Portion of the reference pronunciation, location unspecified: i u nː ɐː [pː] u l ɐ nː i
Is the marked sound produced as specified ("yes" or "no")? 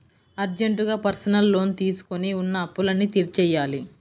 yes